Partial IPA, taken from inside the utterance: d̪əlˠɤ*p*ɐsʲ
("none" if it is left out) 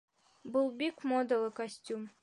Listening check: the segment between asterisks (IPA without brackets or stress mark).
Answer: k